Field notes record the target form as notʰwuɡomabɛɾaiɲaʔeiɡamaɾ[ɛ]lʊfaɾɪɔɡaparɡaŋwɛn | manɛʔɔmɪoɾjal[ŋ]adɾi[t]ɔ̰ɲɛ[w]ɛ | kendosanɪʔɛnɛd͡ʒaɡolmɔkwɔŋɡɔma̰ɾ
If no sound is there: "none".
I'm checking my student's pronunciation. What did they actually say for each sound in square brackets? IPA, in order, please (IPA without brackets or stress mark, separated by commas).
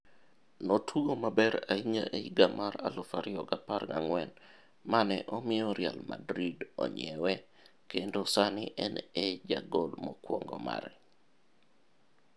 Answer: a, m, d, w